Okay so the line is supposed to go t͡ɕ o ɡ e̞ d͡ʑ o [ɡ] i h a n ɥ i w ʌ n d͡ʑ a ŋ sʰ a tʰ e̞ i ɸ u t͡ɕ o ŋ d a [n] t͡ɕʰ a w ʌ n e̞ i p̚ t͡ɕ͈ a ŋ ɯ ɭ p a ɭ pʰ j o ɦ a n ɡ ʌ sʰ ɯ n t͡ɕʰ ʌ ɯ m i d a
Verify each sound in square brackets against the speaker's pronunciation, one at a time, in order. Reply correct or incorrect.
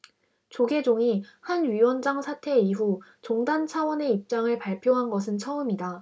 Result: incorrect, correct

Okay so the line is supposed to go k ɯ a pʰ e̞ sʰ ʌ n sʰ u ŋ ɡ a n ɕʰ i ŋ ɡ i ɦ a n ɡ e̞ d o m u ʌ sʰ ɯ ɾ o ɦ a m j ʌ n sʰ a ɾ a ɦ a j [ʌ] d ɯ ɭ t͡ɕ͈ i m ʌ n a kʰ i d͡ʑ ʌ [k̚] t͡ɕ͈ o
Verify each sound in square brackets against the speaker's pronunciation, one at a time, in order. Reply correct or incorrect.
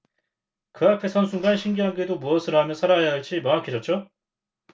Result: incorrect, incorrect

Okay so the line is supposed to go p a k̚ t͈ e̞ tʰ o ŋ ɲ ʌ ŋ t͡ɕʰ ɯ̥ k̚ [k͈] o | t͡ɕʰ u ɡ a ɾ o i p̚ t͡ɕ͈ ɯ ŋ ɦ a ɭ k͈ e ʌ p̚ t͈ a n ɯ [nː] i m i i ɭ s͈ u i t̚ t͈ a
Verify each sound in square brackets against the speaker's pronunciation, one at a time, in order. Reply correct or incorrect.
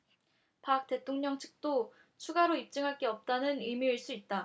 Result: incorrect, incorrect

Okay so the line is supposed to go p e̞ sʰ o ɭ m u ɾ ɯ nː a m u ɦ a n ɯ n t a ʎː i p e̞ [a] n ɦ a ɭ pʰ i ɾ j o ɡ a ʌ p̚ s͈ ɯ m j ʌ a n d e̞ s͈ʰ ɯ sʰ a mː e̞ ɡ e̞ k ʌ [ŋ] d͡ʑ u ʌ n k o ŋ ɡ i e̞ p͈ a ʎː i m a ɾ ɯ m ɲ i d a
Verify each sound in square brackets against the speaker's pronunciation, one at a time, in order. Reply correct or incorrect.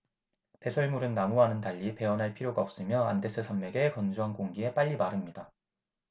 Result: incorrect, incorrect

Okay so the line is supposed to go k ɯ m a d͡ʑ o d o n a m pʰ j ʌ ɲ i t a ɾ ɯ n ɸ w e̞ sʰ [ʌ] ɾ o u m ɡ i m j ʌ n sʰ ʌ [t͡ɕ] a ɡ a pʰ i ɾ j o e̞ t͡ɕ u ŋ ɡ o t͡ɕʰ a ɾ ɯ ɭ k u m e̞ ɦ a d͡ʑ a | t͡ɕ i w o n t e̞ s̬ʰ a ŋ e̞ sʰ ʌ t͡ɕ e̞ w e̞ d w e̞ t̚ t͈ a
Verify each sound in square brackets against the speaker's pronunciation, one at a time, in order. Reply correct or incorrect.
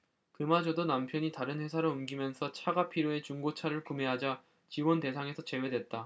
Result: incorrect, incorrect

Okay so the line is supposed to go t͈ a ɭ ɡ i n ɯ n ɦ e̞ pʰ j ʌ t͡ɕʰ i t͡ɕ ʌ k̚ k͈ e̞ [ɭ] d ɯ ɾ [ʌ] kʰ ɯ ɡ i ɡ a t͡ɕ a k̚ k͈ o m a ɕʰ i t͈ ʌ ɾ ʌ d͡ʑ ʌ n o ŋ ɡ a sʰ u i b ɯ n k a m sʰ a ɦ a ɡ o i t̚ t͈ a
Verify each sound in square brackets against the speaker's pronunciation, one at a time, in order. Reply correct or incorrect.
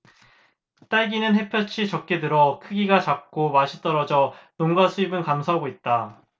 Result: incorrect, correct

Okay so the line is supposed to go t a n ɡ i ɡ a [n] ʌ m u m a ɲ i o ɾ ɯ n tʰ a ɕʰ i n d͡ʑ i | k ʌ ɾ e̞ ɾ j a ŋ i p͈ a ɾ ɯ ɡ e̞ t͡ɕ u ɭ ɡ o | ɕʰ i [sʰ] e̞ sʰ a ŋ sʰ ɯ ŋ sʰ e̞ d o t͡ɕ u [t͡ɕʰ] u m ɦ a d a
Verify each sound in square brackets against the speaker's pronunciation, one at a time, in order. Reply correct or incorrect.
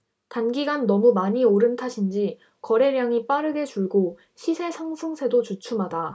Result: incorrect, correct, correct

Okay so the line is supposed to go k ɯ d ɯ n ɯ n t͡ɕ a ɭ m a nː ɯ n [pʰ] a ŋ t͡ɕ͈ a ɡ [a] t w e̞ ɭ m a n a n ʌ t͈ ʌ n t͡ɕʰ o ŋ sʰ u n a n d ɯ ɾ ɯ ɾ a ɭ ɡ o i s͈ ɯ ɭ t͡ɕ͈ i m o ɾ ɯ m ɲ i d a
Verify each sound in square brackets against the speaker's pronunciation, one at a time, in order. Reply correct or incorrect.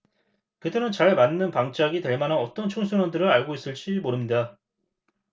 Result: incorrect, incorrect

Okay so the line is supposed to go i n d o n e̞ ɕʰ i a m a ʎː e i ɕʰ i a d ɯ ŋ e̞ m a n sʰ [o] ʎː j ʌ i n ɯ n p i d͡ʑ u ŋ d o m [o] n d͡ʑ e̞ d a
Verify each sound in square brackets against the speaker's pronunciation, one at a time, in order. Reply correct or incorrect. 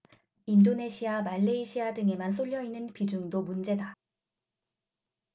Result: correct, incorrect

